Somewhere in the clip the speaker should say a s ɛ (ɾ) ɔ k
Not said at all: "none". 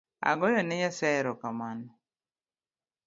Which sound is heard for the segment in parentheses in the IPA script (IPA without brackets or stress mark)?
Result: ɾ